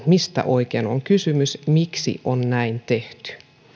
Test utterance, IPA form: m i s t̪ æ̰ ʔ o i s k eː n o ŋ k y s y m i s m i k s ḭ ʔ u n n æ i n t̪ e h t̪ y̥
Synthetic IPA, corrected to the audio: m i s t̪ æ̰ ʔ o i k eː n o ŋ k y s y m y s m i k s ḭ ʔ o n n æ i n t̪ e h t̪ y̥